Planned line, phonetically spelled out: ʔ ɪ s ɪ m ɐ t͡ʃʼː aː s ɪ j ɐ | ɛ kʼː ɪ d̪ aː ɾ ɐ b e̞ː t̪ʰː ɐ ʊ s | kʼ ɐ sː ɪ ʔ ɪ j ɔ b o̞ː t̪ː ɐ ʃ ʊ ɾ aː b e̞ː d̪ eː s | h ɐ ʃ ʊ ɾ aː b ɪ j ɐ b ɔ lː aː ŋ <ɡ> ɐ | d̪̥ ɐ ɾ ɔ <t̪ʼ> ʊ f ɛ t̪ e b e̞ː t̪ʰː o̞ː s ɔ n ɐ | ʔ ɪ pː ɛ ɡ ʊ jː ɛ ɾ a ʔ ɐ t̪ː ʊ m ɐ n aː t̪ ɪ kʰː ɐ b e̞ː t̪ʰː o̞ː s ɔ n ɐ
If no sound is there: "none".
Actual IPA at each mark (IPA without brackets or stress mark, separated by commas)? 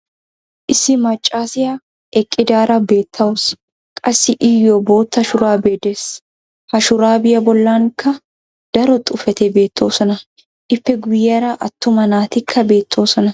k, t̪ʼ